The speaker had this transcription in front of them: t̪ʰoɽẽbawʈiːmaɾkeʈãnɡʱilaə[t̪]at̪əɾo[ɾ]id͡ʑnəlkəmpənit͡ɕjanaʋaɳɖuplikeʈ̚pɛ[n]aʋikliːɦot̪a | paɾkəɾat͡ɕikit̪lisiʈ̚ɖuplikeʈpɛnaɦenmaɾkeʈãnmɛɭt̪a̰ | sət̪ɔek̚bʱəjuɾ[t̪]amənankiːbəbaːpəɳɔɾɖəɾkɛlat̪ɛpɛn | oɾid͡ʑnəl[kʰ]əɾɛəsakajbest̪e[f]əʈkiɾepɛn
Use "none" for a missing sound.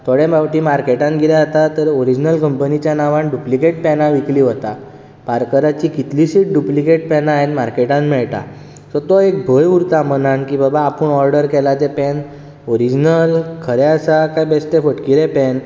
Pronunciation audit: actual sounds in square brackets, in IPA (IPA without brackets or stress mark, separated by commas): t̪, ɾ, n, t̪, kʰ, f